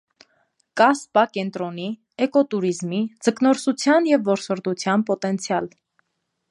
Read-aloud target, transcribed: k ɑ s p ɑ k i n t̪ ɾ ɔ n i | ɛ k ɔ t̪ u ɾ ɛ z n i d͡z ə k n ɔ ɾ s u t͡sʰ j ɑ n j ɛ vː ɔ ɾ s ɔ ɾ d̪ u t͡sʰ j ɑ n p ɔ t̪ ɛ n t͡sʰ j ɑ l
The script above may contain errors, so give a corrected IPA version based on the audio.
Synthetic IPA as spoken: k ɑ s p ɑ k ɛ n t̪ ɾ ɔ n i | ɛ k ɔ t̪ u ɾ i z m i d͡z ə k n ɔ ɾ s u t͡sʰ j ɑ n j ɛ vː ɔ ɾ s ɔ ɾ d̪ u t͡sʰ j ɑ n p ɔ t̪ ɛ n t͡sʰ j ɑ l